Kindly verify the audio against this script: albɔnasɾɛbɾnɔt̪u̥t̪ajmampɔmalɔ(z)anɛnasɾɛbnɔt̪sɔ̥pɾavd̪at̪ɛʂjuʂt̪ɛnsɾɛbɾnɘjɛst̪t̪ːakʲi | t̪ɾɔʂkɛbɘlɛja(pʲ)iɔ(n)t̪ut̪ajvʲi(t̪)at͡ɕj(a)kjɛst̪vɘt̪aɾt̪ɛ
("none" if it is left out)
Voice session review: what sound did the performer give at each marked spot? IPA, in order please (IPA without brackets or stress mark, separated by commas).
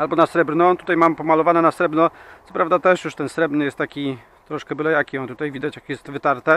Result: v, kʲ, n, d̪, a